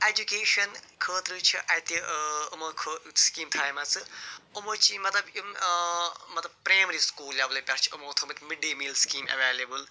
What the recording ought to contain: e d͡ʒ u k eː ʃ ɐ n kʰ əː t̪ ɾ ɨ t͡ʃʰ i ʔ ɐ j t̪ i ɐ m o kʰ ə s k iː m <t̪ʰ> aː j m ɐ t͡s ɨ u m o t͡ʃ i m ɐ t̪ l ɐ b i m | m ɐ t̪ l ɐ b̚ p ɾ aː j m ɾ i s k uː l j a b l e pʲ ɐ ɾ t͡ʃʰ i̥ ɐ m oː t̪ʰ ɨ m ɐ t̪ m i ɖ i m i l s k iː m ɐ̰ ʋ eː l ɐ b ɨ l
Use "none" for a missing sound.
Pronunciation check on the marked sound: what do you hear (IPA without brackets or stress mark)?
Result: t̪ʰ